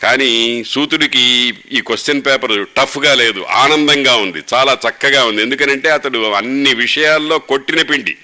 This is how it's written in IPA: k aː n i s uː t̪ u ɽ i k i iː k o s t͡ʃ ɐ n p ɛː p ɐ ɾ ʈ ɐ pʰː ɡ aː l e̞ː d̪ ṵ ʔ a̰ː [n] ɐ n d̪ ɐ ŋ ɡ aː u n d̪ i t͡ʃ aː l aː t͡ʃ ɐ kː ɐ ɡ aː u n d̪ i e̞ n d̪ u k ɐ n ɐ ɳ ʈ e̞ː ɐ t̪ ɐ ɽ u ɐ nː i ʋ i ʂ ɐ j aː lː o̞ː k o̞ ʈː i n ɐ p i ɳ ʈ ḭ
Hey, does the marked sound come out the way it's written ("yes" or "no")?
yes